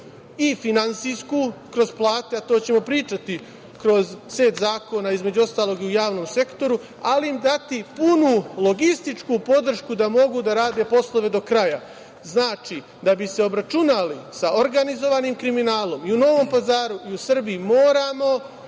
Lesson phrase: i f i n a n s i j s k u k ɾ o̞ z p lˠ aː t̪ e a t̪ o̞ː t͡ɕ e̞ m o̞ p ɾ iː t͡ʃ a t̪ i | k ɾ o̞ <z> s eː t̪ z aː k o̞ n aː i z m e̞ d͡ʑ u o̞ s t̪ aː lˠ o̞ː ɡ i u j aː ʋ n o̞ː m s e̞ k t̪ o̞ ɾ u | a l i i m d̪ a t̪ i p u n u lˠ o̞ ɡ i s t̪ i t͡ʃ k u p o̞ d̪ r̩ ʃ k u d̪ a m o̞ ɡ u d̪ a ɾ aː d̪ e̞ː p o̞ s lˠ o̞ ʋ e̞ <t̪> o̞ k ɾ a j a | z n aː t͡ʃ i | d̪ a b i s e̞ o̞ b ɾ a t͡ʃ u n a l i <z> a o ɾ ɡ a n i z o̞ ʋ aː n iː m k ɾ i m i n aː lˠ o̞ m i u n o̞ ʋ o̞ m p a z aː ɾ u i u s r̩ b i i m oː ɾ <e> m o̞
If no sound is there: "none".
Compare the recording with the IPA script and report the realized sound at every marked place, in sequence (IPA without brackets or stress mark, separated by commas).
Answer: z, d̪, s, a